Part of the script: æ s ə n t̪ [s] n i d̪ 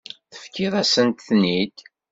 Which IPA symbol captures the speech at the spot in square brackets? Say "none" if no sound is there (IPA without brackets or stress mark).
θ